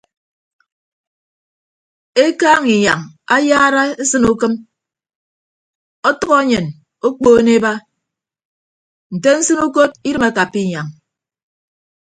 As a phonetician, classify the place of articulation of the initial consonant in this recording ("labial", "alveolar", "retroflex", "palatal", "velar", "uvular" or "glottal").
velar